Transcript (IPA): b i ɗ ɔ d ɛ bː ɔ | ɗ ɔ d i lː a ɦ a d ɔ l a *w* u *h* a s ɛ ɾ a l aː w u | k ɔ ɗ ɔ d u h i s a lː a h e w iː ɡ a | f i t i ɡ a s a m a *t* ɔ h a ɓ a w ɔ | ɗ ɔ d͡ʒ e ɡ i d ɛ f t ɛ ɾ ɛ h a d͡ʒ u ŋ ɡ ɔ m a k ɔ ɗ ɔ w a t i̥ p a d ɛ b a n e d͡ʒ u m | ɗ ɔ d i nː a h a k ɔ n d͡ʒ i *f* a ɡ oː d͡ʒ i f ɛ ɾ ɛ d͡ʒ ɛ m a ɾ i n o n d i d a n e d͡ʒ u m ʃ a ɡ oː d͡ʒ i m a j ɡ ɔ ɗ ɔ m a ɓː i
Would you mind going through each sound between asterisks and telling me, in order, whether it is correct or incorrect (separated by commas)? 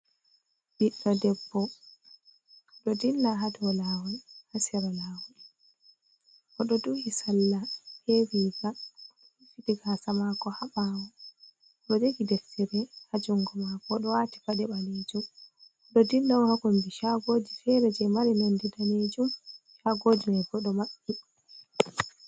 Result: correct, correct, incorrect, incorrect